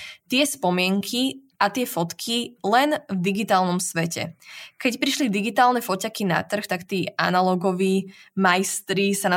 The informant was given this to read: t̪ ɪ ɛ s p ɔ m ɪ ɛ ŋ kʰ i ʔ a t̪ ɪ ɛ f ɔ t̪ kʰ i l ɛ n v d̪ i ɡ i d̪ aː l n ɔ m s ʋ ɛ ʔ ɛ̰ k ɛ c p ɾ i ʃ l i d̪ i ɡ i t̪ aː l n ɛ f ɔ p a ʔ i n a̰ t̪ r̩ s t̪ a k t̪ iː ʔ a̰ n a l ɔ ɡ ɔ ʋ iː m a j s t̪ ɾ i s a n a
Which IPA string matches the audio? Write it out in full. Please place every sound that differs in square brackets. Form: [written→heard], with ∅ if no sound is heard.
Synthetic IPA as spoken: t̪ ɪ ɛ s p ɔ m ɪ ɛ ŋ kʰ i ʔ a t̪ ɪ ɛ f ɔ t̪ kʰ i l ɛ n v d̪ i ɡ i [d̪→t̪] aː l n ɔ m s ʋ ɛ [ʔ→c] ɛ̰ k ɛ c p ɾ i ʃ l i d̪ i ɡ i t̪ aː l n ɛ f ɔ [p→c] a [ʔ→k] i n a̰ t̪ r̩ [s→x] t̪ a k t̪ iː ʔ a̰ n a l ɔ ɡ ɔ ʋ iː m a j s t̪ ɾ i s a n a